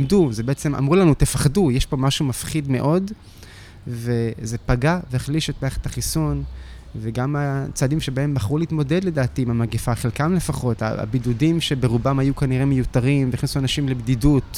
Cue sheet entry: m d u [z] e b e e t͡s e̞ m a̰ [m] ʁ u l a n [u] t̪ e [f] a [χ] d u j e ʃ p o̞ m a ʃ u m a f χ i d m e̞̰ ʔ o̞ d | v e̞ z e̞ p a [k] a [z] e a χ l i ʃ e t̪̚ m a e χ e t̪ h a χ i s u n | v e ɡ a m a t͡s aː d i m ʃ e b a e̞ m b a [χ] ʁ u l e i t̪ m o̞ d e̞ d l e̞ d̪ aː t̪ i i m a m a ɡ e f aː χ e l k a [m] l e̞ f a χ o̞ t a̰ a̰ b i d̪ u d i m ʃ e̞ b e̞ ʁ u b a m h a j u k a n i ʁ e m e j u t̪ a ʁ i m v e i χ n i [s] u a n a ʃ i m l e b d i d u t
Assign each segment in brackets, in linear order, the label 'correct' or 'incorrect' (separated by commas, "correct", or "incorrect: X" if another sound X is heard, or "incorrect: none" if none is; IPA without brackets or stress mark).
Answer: correct, correct, correct, correct, correct, incorrect: ɡ, incorrect: v, correct, correct, correct